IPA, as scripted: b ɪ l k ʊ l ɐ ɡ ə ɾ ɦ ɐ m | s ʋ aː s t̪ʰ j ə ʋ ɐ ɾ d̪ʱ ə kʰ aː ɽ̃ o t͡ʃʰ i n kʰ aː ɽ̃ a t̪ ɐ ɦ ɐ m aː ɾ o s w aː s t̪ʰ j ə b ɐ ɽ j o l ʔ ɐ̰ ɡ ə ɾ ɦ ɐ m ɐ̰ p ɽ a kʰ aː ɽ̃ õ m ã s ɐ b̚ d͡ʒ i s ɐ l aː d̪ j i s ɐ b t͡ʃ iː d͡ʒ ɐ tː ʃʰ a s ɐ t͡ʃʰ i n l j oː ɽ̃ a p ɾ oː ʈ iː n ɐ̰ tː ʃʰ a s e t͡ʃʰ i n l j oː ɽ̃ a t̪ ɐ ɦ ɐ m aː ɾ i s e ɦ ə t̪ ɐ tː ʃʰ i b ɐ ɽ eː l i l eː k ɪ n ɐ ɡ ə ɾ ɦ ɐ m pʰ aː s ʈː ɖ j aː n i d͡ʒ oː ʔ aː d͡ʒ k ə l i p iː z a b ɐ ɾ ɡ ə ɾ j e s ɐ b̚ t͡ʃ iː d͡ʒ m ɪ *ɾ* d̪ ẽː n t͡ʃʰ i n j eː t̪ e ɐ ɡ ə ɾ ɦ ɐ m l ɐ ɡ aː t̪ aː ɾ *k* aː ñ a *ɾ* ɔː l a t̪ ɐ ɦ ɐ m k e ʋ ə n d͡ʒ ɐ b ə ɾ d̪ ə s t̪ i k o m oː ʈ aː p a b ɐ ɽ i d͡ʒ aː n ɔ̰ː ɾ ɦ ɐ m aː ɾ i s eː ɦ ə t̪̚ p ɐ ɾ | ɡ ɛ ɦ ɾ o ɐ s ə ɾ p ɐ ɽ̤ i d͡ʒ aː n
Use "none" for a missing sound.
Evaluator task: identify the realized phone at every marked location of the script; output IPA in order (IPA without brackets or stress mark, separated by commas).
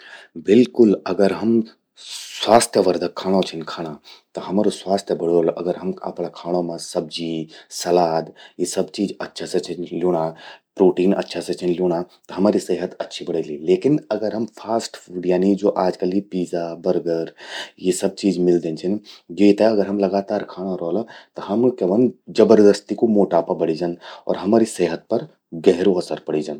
l, kʰ, ɾ